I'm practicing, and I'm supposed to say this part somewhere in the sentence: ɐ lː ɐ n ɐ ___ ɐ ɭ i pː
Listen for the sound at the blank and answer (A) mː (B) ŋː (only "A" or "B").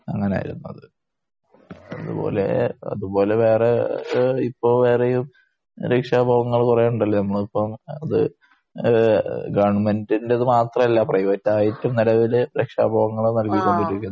A